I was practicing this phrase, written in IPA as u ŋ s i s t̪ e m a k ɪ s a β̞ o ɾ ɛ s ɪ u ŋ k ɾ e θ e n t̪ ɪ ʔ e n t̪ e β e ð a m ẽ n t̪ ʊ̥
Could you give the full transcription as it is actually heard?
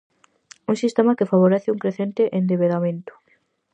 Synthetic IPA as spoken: u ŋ s i s t̪ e m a k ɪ f a β̞ o ɾ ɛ θ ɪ u ŋ k ɾ e θ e n t̪ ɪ ʔ e n d̪ e β e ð a m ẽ n t̪ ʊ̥